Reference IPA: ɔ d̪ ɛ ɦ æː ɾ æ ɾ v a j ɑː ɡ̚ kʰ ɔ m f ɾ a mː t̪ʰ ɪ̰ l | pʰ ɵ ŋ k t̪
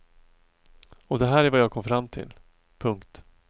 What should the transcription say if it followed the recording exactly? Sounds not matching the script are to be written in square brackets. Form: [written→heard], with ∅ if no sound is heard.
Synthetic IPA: ɔ d̪ ɛ ɦ æː ɾ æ ɾ v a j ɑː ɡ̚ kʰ ɔ m f ɾ a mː t̪ʰ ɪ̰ l | pʰ ɵ ŋ k t̪

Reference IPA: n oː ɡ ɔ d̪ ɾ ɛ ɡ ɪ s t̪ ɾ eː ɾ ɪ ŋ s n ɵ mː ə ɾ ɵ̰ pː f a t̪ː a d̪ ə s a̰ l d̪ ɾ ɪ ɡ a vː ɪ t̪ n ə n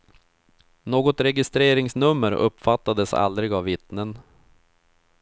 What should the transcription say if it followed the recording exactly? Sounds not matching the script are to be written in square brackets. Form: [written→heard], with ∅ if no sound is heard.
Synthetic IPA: n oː ɡ ɔ [d̪→t̪] ɾ ɛ ɡ ɪ s t̪ ɾ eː ɾ ɪ ŋ s n ɵ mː ə ɾ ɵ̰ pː f a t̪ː a d̪ ə s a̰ l d̪ ɾ ɪ ɡ a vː ɪ t̪ n ə n

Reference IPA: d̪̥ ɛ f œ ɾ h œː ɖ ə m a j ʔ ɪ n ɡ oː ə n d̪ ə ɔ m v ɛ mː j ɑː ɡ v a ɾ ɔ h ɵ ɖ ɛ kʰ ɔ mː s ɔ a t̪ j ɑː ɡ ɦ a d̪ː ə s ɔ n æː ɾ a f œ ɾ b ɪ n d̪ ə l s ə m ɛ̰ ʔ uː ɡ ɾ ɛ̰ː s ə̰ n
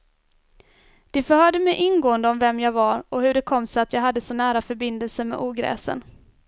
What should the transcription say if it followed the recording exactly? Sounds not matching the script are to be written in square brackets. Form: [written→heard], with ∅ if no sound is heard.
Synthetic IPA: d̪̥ ɛ f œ ɾ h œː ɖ ə m [a→ɛ] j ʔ ɪ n ɡ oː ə n d̪ ə ɔ m v ɛ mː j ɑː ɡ v a ɾ ɔ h ɵ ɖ ɛ kʰ ɔ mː s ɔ a t̪ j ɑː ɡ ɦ a d̪ː ə s ɔ n æː ɾ a f œ ɾ b ɪ n d̪ ə l s ə m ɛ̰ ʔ uː ɡ ɾ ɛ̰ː s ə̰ n

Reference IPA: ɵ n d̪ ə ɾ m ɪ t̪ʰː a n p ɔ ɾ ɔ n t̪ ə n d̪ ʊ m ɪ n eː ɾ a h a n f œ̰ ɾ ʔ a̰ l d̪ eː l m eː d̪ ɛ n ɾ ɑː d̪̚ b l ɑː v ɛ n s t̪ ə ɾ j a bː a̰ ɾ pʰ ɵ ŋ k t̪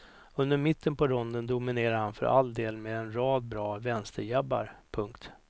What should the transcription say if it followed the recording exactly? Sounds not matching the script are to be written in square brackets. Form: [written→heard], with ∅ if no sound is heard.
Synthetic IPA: ɵ n d̪ ə ɾ m ɪ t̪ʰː [a→ə] n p ɔ ɾ ɔ n [t̪→d̪] ə n d̪ ʊ m ɪ n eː ɾ a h a n f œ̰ ɾ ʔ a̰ l d̪ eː l m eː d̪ ɛ n ɾ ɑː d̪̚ b [l→ɾ] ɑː v ɛ n s t̪ ə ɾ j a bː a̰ ɾ pʰ ɵ ŋ k t̪

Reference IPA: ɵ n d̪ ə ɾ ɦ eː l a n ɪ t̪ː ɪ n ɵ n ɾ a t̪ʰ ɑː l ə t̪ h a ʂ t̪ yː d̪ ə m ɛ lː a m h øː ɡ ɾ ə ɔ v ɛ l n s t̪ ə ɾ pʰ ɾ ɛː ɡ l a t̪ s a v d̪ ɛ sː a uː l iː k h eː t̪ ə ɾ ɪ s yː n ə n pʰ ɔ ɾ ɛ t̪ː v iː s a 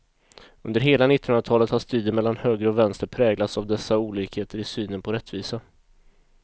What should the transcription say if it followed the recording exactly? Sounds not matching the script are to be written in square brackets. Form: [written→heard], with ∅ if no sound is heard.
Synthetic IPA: ɵ n d̪ ə ɾ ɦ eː l a n ɪ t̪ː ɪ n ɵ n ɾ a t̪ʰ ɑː l ə t̪ h a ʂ t̪ yː d̪ ə m ɛ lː a [m→n] h øː ɡ ɾ ə ɔ v ɛ [l→∅] n s t̪ ə ɾ pʰ ɾ ɛː ɡ l a t̪ s a v d̪ ɛ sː a uː l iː k h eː t̪ ə ɾ ɪ s yː n ə n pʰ ɔ ɾ ɛ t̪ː v iː s a

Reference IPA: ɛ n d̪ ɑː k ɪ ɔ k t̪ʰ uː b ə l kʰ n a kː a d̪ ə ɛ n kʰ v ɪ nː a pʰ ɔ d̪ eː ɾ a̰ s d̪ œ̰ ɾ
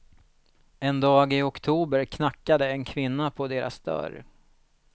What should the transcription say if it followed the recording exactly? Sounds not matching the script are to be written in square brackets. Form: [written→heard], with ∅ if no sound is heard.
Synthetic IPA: ɛ n d̪ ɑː [k→ɡ] ɪ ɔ k t̪ʰ uː b ə [l→ɾ] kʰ n a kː a d̪ ə ɛ n kʰ v ɪ nː a pʰ ɔ d̪ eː ɾ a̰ s d̪ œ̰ ɾ

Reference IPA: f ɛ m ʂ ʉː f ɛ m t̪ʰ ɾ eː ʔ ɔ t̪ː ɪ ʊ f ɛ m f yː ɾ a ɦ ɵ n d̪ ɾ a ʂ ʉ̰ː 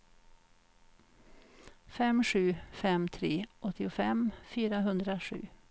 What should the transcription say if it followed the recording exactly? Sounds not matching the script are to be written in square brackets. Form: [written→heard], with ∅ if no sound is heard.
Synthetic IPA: f ɛ m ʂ ʉː f ɛ m t̪ʰ ɾ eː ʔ ɔ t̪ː ɪ ʊ f ɛ m f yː ɾ a ɦ ɵ n d̪ ɾ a ʂ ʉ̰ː

